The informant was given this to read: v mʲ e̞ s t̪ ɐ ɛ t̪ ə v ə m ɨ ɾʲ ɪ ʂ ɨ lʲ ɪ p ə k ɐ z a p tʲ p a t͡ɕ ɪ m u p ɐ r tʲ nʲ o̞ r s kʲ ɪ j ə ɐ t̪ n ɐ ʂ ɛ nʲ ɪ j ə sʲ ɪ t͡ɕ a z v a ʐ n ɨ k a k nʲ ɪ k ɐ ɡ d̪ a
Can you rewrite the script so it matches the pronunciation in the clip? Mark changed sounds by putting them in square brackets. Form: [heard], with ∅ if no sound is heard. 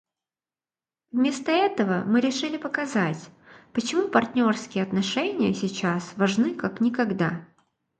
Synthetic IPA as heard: v mʲ e̞ s t̪ [ə] ɛ t̪ ə v ə m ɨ ɾʲ ɪ ʂ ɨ lʲ ɪ p ə k ɐ z a [∅] tʲ p [ə] t͡ɕ ɪ m u p ɐ r tʲ nʲ o̞ r s kʲ ɪ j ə ɐ t̪ n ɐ ʂ ɛ nʲ ɪ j ə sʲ ɪ t͡ɕ a [s] v [ɐ] ʐ n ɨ k a k nʲ ɪ k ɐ ɡ d̪ a

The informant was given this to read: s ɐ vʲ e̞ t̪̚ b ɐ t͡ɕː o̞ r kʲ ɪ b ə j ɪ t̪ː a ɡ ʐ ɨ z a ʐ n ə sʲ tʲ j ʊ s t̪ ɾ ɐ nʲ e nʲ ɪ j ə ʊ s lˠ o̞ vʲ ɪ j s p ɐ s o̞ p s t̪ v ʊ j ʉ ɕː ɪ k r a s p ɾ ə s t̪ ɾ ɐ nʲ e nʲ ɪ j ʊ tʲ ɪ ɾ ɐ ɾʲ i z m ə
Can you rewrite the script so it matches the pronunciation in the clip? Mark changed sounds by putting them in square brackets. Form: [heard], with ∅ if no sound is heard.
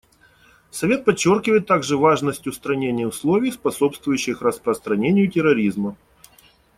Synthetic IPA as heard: s ɐ vʲ e̞ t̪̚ [p] ɐ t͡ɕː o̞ r kʲ ɪ [v] ə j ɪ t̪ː a ɡ ʐ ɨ [v] a ʐ n ə sʲ tʲ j ʊ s t̪ ɾ ɐ nʲ e nʲ ɪ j ə ʊ s lˠ o̞ vʲ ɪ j s p ɐ s o̞ p s t̪ v ʊ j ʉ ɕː ɪ [x] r [ə] s p ɾ ə s t̪ ɾ ɐ nʲ e nʲ ɪ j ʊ tʲ ɪ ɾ ɐ ɾʲ i z m ə

